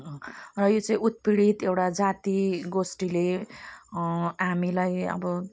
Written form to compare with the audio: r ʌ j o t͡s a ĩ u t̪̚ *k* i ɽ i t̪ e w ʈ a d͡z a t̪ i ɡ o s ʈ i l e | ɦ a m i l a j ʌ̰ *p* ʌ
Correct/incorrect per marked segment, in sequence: incorrect, incorrect

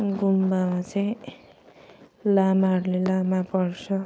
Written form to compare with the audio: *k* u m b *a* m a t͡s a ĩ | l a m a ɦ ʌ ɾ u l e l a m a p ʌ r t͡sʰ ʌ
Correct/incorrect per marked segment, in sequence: incorrect, correct

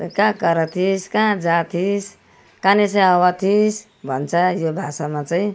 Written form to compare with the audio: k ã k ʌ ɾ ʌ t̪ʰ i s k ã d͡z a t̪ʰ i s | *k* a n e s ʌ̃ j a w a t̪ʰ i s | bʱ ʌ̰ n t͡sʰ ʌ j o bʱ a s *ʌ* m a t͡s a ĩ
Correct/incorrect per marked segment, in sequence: correct, incorrect

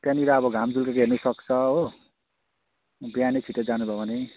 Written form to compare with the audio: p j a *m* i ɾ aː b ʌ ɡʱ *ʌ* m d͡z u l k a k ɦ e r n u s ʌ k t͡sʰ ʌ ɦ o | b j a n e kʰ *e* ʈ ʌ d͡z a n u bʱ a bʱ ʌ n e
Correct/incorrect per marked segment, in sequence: incorrect, incorrect, incorrect

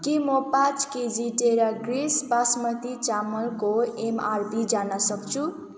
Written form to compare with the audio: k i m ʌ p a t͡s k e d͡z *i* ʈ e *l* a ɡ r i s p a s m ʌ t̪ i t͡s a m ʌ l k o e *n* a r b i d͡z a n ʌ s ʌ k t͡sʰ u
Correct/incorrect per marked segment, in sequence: correct, incorrect, incorrect

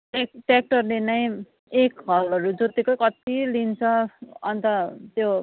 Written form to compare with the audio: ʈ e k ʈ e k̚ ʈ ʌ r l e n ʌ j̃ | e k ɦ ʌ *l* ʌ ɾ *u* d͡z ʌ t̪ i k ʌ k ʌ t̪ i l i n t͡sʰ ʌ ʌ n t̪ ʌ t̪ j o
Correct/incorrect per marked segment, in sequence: correct, correct

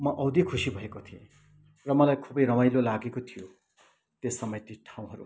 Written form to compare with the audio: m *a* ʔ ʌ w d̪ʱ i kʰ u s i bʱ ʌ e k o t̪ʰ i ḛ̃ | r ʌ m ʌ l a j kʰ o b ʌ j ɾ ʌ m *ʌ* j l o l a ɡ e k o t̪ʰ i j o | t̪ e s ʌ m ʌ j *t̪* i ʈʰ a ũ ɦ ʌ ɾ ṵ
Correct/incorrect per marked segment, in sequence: incorrect, incorrect, correct

